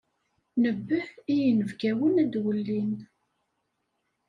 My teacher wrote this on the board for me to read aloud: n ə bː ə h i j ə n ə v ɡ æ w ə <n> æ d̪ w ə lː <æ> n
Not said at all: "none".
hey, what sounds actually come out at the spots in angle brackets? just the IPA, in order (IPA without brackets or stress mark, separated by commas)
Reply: n, i